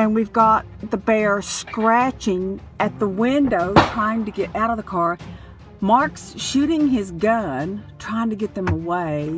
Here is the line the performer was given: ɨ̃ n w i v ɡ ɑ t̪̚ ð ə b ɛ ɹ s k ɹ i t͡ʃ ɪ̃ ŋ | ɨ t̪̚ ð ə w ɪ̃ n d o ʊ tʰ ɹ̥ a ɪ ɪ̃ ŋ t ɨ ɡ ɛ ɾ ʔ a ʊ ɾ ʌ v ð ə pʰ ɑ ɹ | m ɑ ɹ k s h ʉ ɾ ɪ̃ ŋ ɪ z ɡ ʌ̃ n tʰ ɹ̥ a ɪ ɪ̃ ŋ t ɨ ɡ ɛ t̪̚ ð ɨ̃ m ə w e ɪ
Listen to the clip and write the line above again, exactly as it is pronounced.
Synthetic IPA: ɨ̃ n w i v ɡ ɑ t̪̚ ð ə b ɛ ɹ s k ɹ æ t͡ʃ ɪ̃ ŋ | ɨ t̪̚ ð ə w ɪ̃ n d o ʊ tʰ ɹ̥ a ɪ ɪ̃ ŋ t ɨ ɡ ɛ ɾ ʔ a ʊ ɾ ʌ v ð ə kʰ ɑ ɹ | m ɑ ɹ k s ʃ ʉ ɾ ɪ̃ ŋ ɪ z ɡ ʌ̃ n tʰ ɹ̥ a ɪ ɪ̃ ŋ t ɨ ɡ ɛ t̪̚ ð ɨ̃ m ə w e ɪ